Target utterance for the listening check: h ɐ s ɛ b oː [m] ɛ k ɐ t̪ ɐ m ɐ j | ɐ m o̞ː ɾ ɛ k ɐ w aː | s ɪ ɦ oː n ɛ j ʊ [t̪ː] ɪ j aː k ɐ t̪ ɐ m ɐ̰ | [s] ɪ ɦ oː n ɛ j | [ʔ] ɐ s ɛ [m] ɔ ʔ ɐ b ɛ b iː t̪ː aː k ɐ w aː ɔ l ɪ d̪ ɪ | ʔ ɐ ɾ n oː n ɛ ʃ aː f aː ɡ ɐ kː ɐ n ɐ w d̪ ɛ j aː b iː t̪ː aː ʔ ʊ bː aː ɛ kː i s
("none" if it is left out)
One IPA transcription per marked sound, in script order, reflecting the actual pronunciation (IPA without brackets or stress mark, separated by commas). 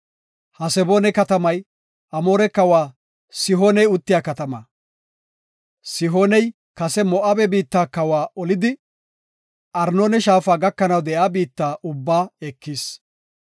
n, t̪ː, s, k, m